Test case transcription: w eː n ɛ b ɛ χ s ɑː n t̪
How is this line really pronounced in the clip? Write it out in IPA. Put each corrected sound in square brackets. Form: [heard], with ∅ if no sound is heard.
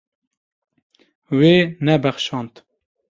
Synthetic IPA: w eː n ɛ b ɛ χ [ʃ] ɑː n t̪